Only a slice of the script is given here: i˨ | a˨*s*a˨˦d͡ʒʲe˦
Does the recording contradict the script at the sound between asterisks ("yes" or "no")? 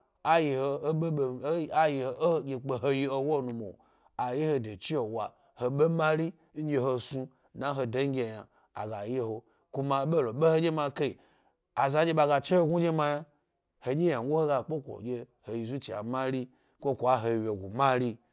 yes